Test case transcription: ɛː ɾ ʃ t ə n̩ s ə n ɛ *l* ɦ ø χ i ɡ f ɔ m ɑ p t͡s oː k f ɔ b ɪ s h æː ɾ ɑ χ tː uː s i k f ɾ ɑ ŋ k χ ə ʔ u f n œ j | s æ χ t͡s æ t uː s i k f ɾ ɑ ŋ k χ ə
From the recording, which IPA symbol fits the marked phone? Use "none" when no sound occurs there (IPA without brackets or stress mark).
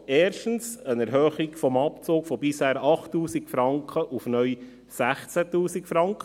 ɾ